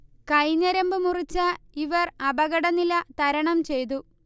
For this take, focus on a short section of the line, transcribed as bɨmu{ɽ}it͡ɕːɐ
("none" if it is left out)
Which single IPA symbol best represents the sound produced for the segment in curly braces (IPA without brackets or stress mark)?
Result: r